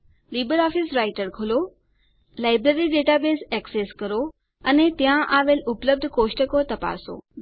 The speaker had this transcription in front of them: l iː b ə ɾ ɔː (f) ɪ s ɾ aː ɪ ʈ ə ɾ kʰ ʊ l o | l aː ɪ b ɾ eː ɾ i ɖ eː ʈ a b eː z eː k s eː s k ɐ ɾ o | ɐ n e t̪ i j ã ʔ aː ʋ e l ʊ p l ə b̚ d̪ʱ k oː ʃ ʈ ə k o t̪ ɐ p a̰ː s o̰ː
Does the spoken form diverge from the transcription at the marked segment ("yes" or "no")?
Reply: no